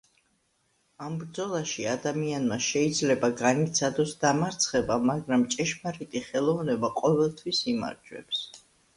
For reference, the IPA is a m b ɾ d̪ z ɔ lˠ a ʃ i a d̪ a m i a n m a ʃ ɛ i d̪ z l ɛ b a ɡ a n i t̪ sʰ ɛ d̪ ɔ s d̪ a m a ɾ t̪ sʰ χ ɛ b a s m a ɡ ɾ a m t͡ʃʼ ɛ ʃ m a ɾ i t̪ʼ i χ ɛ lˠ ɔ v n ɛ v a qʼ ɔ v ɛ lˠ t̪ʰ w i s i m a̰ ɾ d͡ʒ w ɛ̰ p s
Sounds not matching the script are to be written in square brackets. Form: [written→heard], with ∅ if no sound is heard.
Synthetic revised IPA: a m b ɾ d̪ z ɔ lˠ a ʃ i a d̪ a m i a n m a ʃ ɛ i d̪ z l ɛ b a ɡ a n i t̪ sʰ [ɛ→a] d̪ ɔ s d̪ a m a ɾ t̪ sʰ χ ɛ b a [s→∅] m a ɡ ɾ a m t͡ʃʼ ɛ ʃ m a ɾ i t̪ʼ i χ ɛ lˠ ɔ v n ɛ [v→b] a qʼ ɔ v ɛ lˠ t̪ʰ w i s i m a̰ ɾ d͡ʒ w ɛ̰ p s